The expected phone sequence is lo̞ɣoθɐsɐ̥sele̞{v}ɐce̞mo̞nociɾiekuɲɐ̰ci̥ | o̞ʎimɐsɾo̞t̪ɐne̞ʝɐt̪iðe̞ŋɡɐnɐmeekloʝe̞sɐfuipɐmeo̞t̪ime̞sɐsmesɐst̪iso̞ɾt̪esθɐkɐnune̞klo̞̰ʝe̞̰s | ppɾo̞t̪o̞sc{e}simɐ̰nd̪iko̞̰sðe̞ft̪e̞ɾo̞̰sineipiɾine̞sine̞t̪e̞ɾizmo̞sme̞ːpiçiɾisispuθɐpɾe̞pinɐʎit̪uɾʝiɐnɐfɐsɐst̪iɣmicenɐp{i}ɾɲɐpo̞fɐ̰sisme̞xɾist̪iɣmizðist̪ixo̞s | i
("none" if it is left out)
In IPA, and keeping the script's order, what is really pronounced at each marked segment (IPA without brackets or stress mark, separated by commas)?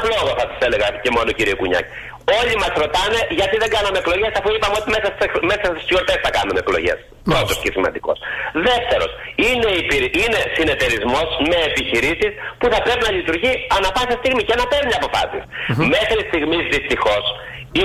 ɣ, e, e